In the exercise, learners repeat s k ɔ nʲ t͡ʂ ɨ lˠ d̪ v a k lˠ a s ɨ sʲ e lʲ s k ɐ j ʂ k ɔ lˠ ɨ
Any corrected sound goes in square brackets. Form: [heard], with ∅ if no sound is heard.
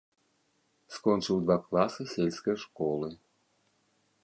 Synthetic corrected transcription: s k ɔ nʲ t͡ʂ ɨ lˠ d̪ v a k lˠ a s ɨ sʲ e lʲ s k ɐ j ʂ k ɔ lˠ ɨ